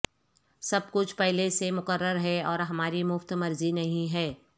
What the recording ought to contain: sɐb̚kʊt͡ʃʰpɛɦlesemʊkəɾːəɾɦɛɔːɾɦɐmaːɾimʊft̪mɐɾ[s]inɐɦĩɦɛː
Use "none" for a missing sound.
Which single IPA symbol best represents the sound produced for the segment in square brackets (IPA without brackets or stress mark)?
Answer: z